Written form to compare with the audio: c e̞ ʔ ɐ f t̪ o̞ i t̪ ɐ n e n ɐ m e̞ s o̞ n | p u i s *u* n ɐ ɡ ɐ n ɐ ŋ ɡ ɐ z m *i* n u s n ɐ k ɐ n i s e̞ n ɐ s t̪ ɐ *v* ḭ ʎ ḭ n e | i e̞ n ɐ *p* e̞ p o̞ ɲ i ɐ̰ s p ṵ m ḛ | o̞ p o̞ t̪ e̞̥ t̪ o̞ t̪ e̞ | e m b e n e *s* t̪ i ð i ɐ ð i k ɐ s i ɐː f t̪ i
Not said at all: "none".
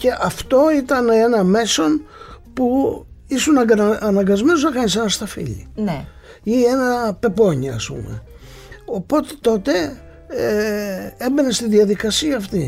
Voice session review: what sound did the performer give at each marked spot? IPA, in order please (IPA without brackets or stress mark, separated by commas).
u, e, f, p, s